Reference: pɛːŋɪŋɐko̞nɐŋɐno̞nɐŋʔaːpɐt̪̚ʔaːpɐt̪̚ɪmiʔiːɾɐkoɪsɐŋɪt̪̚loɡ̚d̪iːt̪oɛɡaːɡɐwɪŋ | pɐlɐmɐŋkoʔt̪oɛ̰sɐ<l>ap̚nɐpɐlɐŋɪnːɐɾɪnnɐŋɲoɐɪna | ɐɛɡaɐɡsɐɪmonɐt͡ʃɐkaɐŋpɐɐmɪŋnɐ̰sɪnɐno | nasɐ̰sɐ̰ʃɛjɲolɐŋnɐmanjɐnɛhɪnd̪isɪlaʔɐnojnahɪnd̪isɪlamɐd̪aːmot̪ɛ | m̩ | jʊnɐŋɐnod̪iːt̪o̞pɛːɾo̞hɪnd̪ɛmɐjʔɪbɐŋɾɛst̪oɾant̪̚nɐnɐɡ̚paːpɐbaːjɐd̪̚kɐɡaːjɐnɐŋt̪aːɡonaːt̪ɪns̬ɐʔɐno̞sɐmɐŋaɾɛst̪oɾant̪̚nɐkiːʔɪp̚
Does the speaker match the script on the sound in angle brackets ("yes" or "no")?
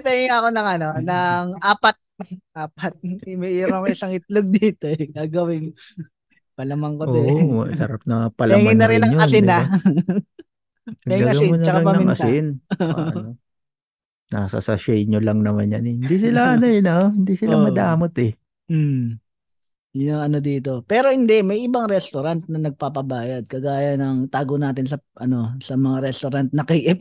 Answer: no